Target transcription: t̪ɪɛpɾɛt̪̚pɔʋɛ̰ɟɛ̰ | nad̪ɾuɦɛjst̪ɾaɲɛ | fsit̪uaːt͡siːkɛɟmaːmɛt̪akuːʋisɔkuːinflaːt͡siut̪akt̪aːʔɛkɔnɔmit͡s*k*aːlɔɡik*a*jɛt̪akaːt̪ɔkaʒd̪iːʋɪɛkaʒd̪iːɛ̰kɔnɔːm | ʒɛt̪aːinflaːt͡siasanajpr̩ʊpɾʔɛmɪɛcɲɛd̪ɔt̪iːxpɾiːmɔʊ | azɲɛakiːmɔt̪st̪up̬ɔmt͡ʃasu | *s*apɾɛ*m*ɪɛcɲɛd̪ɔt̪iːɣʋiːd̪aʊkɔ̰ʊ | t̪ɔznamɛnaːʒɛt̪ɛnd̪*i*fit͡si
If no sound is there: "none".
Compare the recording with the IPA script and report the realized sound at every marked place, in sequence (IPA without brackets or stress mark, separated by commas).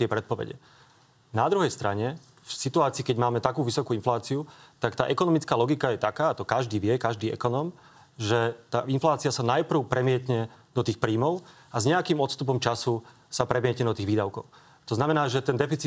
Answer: k, a, s, m, ɛ